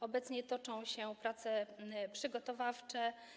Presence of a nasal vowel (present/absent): present